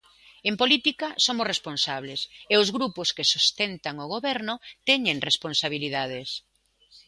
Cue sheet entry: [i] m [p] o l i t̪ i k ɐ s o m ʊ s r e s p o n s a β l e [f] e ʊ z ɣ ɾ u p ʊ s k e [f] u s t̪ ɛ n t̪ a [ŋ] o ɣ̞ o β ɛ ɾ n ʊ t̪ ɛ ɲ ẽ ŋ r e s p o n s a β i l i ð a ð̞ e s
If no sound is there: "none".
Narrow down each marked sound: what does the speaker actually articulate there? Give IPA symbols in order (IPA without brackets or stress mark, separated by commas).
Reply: e, p, s, s, ŋ